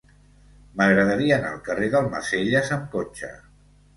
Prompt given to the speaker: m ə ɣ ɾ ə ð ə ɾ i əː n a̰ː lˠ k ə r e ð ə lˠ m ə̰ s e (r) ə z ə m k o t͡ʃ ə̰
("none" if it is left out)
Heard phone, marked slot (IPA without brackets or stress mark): ʎ